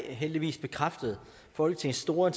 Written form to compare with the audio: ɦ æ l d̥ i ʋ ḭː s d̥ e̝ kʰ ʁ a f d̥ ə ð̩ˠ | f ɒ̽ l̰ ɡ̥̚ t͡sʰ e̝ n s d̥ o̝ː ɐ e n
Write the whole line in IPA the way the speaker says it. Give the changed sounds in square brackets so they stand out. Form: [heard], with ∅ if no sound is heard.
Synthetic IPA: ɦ [e] l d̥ i ʋ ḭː s [b̥] e̝ kʰ ʁ a f d̥ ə ð̩ˠ | f ɒ̽ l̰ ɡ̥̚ t͡sʰ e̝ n s d̥ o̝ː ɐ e n